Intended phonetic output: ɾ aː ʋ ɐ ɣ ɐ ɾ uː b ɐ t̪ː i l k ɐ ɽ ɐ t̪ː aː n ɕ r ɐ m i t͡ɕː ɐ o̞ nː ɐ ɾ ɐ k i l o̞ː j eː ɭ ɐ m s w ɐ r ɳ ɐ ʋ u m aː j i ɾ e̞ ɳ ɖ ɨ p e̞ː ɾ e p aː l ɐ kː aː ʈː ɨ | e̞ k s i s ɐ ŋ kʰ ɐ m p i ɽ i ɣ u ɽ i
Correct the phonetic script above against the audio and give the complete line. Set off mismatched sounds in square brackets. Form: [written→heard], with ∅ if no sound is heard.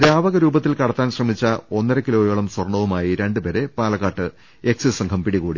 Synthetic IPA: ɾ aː ʋ ɐ ɣ ɐ ɾ uː b ɐ t̪ː i l k ɐ ɽ ɐ t̪ː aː n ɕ r ɐ m i t͡ɕː ɐ o̞ nː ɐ ɾ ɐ k i l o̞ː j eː ɭ ɐ m s w ɐ r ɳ ɐ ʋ u m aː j i ɾ e̞ ɳ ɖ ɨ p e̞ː ɾ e p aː l ɐ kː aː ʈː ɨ | e̞ k s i s ɐ ŋ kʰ ɐ m p i ɽ i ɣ [u→uː] ɽ i